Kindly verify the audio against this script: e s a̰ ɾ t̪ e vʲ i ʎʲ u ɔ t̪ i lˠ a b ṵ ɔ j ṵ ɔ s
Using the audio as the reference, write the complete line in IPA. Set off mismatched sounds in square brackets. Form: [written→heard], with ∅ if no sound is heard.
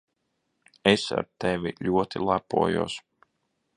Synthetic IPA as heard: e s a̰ ɾ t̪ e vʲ i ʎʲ u ɔ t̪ i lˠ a [b→p] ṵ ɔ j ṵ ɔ s